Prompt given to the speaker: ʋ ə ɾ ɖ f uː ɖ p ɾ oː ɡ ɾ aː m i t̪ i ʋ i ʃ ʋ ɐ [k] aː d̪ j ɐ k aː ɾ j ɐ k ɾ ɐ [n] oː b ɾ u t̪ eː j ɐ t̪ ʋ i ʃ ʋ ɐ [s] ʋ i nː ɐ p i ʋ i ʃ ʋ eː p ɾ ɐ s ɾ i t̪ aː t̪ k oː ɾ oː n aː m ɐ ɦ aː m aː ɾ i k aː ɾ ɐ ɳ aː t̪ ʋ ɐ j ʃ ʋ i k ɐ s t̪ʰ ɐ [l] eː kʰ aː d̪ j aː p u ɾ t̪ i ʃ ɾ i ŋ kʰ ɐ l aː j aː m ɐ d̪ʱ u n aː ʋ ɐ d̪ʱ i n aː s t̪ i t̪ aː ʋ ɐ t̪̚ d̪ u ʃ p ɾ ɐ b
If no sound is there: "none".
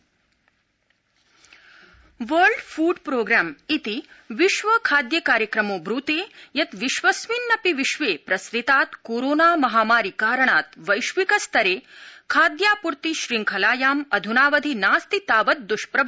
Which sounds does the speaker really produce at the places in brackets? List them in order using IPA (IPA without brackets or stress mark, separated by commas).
kʰ, m, s, ɾ